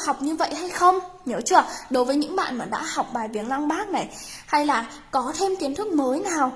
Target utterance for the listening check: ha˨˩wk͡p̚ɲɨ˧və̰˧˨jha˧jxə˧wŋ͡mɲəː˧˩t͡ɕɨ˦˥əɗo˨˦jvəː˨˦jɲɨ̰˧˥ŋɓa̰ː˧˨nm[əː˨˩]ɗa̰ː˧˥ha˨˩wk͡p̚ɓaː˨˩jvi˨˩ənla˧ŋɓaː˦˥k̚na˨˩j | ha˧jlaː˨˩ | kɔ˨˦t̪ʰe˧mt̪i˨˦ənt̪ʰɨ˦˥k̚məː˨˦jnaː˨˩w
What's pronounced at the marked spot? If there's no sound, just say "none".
aː˨˩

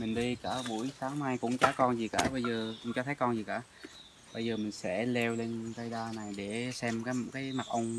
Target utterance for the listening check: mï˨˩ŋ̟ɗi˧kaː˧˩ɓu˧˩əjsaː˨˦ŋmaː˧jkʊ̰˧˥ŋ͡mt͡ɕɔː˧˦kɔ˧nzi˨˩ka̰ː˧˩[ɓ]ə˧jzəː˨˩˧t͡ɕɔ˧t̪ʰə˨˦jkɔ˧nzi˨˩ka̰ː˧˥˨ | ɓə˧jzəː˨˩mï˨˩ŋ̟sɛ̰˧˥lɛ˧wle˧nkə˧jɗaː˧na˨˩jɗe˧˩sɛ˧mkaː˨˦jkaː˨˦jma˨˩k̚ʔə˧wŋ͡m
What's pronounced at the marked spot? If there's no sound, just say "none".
ɓ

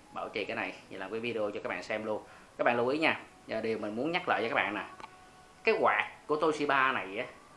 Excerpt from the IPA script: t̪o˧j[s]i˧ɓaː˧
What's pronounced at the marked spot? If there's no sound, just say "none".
s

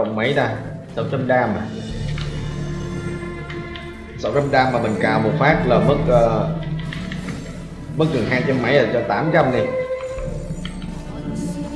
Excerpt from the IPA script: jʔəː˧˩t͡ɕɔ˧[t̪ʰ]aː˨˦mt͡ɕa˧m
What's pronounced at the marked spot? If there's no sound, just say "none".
t̪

